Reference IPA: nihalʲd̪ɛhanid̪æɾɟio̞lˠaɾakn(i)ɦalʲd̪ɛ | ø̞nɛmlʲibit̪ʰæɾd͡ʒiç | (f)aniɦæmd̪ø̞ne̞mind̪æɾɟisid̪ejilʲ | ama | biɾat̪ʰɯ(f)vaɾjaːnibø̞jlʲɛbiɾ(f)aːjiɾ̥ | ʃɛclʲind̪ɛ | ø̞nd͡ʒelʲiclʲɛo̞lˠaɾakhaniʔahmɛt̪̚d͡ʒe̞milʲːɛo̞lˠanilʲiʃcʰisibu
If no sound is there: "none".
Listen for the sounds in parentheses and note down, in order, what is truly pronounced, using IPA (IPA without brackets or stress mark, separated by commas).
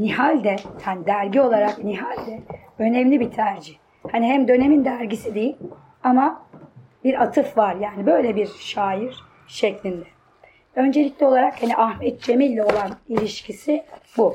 i, h, f, ʃ